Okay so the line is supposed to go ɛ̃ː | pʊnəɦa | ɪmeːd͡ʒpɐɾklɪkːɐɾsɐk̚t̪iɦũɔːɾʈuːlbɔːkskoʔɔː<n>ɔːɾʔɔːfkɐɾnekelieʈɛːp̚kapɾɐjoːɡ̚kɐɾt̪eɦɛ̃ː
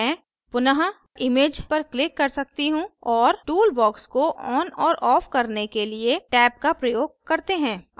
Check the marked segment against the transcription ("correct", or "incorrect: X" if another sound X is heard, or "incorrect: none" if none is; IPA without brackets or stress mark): correct